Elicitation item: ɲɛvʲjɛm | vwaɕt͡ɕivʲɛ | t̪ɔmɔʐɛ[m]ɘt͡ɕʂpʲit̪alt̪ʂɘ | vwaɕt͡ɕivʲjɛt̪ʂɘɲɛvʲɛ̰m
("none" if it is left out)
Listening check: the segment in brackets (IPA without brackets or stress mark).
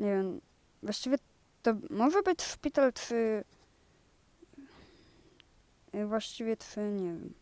b